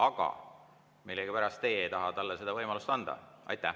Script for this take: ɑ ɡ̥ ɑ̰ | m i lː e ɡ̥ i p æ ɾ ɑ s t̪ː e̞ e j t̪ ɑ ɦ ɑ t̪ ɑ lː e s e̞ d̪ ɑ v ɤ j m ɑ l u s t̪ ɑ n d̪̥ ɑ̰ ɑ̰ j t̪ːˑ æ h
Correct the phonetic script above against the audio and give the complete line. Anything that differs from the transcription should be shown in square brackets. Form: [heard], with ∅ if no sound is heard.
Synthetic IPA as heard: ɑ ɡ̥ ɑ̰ | m i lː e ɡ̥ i p æ ɾ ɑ s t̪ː e̞ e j t̪ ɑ ɦ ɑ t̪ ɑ lː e s e̞ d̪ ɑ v ɤ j m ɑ l u s t̪ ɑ n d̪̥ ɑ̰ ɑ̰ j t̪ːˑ æ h